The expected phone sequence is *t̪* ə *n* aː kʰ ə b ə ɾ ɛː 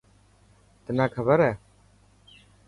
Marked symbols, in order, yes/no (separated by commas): yes, yes